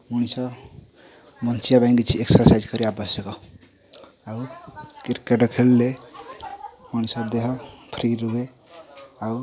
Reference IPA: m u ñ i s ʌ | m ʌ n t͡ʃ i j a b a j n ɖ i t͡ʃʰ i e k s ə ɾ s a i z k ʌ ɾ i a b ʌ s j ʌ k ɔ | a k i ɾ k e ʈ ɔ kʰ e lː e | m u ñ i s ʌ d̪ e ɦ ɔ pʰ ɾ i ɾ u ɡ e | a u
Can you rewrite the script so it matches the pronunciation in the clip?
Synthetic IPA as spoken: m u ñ i s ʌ | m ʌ n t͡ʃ i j a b a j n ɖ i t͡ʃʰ i e k s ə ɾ s a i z k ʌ ɾ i a b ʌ s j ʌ k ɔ | a k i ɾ k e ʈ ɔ kʰ e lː e | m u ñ i s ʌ d̪ e ɦ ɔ pʰ ɾ i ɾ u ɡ e | a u